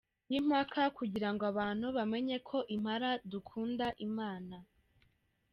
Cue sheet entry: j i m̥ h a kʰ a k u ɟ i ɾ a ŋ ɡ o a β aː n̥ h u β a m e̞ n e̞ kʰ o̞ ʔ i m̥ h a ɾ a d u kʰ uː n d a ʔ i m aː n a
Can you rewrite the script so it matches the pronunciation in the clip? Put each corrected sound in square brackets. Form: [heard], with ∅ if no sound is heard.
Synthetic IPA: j i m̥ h a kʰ a k u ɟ i ɾ a ŋ ɡ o a β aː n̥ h u β a m e̞ [ɲ] e̞ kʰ o̞ ʔ i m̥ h a ɾ a d u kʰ uː n d a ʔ i m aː n a